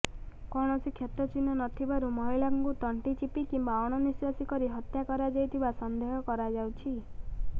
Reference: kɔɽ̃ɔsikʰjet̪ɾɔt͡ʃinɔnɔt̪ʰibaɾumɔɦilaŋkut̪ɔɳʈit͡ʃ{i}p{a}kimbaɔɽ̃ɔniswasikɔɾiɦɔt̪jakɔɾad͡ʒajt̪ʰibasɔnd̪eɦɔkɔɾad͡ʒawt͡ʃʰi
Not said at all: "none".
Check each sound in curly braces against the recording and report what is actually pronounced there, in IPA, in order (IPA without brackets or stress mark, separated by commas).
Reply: i, i